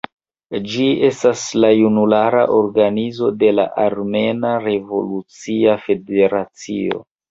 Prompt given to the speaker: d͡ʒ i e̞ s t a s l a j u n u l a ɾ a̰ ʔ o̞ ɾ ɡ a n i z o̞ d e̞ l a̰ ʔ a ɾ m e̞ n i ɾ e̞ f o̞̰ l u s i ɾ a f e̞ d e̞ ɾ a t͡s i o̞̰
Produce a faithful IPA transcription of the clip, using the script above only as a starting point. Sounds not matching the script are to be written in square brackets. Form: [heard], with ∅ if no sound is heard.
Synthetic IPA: d͡ʒ i e̞ s t a s l a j u n u l a ɾ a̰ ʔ o̞ ɾ ɡ a n i z o̞ d e̞ l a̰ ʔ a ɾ m e̞ n [a] ɾ e̞ [v] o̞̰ l u [t͡s] i [∅] a f e̞ d e̞ ɾ a t͡s i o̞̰